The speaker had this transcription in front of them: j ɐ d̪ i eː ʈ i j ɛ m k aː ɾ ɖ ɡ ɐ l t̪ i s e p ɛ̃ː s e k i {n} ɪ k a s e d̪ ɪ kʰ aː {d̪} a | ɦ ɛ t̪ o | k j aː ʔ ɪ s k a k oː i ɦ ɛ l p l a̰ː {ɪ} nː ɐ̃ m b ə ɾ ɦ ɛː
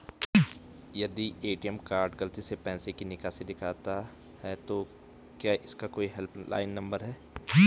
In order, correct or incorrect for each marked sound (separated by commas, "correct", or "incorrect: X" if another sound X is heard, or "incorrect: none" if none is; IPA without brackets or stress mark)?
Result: correct, incorrect: t̪, correct